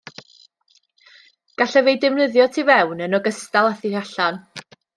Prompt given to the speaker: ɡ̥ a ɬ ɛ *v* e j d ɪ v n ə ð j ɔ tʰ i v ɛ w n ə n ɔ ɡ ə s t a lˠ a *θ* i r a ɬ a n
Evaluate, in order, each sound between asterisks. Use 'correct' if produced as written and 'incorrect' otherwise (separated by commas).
correct, correct